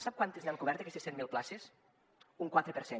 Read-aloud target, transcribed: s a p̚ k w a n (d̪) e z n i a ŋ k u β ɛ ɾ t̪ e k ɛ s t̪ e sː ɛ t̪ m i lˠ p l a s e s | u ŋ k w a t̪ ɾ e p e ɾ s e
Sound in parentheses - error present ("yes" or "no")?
yes